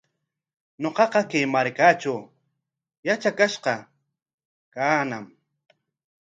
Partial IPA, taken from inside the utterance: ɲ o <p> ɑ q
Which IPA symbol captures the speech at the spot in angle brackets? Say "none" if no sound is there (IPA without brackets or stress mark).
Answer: q